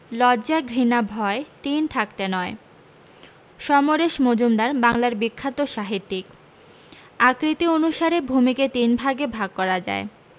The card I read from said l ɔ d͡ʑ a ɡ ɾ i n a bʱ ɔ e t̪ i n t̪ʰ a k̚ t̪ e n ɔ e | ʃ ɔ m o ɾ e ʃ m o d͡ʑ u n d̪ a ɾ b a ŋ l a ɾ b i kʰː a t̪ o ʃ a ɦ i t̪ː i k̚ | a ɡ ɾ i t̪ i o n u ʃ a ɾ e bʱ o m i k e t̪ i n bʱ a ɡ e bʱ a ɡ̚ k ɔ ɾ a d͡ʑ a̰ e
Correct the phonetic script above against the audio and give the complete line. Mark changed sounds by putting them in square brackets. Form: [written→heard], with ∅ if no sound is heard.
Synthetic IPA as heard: l ɔ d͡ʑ a ɡ ɾ i n a bʱ ɔ e t̪ i n t̪ʰ a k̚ t̪ e n ɔ e | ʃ ɔ m o ɾ e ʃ m o d͡ʑ u [n→m] d̪ a ɾ b a ŋ l a ɾ b i kʰː a t̪ o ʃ a ɦ i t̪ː i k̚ | a [ɡ→k] ɾ i t̪ i o n u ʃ a ɾ e bʱ [o→u] m i k e t̪ i n bʱ a ɡ e bʱ a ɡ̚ k ɔ ɾ a d͡ʑ a̰ e